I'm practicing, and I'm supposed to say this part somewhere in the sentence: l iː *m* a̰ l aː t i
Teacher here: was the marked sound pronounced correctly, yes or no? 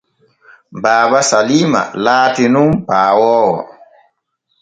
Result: yes